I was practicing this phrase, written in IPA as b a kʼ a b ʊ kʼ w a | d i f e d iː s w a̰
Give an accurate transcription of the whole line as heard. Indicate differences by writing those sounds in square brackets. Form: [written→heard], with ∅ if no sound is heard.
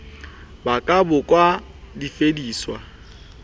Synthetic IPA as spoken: b a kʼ a b ʊ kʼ w a | d i f e d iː s w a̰